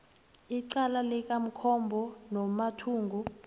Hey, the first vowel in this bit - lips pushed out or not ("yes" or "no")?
no